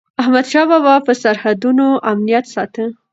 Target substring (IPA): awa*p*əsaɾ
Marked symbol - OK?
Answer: yes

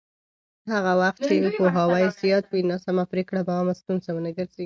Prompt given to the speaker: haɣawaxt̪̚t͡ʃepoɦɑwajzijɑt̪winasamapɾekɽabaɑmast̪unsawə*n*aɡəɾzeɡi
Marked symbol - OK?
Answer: yes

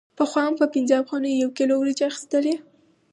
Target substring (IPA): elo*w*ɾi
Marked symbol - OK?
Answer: yes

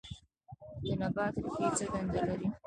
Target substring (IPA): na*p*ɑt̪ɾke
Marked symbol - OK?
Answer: no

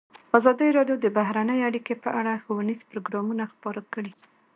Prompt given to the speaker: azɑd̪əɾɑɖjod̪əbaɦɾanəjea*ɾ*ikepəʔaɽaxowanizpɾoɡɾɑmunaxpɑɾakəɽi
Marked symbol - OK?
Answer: no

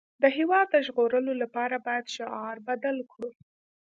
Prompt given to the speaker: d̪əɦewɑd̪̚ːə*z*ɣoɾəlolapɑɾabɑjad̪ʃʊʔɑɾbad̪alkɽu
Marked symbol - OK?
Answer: no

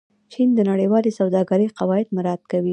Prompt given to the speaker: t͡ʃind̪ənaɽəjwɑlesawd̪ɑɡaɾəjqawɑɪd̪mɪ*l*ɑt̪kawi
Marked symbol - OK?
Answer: no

